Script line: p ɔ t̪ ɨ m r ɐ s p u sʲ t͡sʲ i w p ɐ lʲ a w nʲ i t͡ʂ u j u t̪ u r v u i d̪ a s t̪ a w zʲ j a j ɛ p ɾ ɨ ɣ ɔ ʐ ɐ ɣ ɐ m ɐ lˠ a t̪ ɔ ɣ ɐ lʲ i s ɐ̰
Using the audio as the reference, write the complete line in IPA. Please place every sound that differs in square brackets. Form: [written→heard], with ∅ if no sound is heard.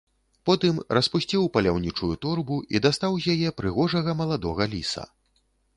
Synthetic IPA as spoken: p ɔ t̪ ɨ m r ɐ s p u sʲ t͡sʲ i w p ɐ lʲ a w nʲ i t͡ʂ u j u t̪ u r [v→b] u i d̪ a s t̪ a w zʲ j a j ɛ p ɾ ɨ ɣ ɔ ʐ ɐ ɣ ɐ m ɐ lˠ a [t̪→d̪] ɔ ɣ ɐ lʲ i s ɐ̰